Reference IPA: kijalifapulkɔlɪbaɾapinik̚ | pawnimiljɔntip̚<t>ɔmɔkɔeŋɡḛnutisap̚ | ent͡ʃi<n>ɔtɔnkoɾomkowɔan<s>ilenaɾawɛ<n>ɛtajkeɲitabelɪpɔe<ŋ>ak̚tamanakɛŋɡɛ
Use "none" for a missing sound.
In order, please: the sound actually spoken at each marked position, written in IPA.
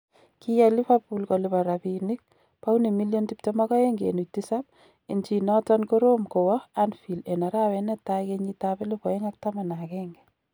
t, n, f, n, ŋ

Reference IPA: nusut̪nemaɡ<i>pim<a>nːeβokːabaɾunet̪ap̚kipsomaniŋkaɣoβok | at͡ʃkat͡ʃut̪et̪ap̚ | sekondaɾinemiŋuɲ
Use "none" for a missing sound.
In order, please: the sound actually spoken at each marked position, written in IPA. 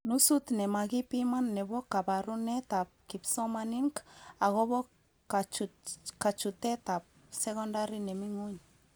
i, a

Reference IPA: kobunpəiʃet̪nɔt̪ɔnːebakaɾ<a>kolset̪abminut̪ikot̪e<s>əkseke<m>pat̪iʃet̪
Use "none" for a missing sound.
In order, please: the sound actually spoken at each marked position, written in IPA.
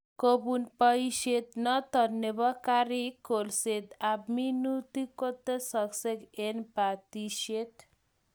i, s, n

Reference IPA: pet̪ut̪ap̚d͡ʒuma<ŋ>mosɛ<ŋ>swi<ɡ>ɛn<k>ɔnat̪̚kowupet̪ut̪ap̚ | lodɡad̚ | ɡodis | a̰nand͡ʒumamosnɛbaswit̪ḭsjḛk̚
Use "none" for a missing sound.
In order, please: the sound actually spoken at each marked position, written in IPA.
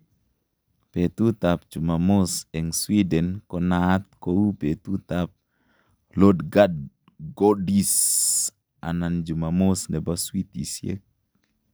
none, ŋ, d, k

